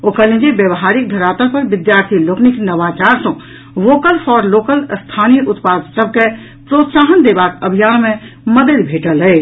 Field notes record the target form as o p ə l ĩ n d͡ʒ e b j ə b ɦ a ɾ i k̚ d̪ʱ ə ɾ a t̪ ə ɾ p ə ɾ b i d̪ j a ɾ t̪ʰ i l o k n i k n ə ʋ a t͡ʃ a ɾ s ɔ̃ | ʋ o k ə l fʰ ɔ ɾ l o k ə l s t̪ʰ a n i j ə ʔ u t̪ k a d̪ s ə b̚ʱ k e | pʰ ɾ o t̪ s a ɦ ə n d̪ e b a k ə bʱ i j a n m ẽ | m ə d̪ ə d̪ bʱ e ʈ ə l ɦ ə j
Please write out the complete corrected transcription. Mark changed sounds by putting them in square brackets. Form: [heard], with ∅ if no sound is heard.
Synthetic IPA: o [k] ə l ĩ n d͡ʒ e b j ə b ɦ a ɾ i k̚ d̪ʱ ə ɾ a t̪ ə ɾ p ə ɾ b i d̪ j a ɾ t̪ʰ i l o k n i k n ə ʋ a t͡ʃ a ɾ s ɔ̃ | ʋ o k ə l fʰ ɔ ɾ l o k ə l s t̪ʰ a n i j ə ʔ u t̪ [p] a d̪ s ə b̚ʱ k e | [p] ɾ o t̪ s a ɦ ə n d̪ e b a k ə bʱ i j a n m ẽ | m ə d̪ ə d̪ bʱ e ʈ ə l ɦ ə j